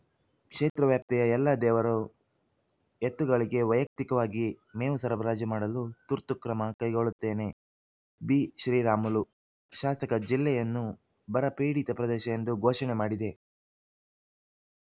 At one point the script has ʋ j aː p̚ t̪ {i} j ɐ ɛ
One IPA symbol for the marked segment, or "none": ɛ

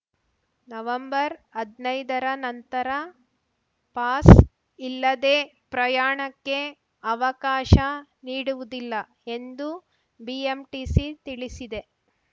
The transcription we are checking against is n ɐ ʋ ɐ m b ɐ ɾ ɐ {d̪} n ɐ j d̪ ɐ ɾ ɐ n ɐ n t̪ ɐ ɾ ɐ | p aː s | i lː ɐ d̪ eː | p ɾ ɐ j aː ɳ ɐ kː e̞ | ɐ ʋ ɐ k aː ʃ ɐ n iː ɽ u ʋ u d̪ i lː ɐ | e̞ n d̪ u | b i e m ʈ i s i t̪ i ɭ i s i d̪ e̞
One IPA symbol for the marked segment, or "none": d̪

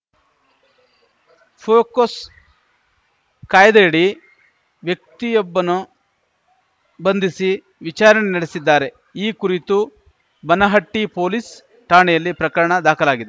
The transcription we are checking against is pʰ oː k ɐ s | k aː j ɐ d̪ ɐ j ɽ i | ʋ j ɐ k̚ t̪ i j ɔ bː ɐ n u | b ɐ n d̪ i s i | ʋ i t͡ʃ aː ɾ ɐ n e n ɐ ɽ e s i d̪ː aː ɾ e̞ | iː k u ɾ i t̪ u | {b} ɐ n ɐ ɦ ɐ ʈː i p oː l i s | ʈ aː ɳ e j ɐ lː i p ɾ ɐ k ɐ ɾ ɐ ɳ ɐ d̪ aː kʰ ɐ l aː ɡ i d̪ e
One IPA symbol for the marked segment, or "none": b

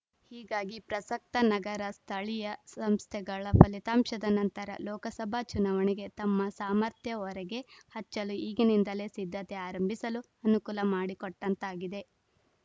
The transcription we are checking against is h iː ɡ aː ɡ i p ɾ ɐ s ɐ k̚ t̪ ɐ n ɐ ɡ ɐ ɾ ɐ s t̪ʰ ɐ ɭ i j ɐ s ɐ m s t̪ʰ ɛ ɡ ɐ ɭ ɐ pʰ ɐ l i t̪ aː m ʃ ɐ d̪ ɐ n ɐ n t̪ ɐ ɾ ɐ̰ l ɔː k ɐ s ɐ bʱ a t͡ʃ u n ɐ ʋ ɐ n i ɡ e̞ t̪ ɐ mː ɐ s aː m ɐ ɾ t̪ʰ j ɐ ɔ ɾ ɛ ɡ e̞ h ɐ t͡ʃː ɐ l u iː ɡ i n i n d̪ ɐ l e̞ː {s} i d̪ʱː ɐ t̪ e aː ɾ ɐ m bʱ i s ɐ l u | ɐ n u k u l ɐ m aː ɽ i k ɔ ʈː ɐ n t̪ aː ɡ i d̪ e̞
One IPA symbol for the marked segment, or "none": s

